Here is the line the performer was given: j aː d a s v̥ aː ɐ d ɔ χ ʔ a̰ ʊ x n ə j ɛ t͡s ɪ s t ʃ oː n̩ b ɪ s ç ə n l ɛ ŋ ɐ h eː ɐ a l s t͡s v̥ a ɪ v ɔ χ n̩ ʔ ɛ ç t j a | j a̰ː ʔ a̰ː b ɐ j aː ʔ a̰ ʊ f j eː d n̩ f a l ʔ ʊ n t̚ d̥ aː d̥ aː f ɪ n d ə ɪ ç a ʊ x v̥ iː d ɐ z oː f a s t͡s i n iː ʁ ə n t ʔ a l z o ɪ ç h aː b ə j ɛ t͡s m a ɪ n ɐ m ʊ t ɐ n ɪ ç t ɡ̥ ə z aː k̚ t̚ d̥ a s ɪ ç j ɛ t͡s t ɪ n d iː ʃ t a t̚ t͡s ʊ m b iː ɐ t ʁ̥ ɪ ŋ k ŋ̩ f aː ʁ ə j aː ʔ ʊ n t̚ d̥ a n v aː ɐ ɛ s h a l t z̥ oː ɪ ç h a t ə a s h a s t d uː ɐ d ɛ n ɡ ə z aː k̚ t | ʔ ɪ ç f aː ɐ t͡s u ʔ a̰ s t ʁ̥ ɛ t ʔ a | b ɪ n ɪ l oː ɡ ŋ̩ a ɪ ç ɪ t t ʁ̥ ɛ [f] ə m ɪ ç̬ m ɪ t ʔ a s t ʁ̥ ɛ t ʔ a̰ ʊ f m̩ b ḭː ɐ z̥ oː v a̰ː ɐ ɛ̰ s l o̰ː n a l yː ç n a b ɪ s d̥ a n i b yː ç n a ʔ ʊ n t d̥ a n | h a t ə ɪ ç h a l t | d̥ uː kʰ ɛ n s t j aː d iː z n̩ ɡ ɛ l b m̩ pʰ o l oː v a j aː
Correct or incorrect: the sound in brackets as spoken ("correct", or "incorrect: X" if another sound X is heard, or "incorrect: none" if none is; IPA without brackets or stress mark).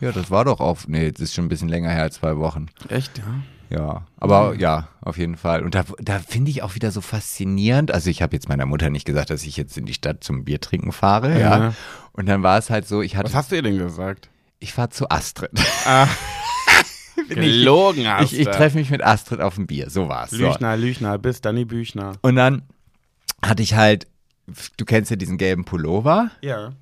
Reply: correct